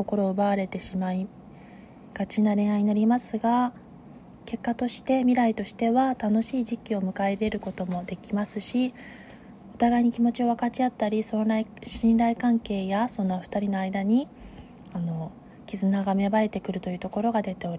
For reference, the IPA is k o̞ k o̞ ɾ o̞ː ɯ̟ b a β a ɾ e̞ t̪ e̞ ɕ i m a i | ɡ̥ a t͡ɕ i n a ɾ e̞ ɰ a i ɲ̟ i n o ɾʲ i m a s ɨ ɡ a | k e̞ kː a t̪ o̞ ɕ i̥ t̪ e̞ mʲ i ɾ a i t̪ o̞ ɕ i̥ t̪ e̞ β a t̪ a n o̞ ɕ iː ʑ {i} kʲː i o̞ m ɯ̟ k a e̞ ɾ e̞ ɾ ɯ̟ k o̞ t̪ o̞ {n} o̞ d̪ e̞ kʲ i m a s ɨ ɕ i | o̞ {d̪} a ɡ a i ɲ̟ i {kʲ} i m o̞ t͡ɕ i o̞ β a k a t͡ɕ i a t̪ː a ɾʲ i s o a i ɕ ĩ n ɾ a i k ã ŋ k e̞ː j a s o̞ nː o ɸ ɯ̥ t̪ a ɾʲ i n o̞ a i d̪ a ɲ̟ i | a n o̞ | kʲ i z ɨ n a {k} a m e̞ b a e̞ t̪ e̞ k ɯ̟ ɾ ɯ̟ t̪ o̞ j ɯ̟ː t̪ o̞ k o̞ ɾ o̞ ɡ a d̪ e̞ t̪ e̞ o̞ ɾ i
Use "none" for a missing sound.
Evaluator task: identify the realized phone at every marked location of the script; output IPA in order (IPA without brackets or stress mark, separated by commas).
i, m, t̪, kʲ, ɡ